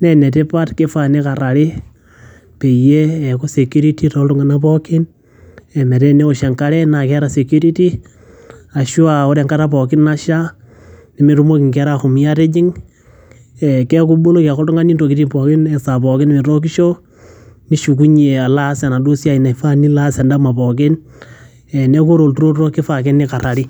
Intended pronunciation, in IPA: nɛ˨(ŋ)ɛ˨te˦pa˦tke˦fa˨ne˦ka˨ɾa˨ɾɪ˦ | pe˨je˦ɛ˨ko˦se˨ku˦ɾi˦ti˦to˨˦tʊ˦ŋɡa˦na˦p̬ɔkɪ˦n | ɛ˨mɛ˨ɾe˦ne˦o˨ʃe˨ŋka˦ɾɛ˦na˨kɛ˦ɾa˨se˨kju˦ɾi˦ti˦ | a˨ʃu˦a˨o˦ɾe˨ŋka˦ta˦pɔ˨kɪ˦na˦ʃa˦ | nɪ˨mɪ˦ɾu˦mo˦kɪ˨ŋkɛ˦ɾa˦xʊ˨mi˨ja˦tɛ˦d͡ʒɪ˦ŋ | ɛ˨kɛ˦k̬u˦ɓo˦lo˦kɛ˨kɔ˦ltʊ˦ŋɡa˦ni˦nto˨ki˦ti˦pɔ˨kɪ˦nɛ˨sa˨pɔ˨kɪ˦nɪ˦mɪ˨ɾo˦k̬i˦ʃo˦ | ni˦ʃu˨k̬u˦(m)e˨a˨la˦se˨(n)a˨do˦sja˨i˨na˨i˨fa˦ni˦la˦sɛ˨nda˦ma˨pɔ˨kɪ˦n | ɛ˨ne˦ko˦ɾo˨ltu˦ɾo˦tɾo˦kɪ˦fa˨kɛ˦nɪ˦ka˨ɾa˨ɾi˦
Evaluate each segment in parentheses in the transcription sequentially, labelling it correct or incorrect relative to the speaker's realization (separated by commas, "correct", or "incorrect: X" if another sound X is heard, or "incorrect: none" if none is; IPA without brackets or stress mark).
incorrect: n, incorrect: ɲ, correct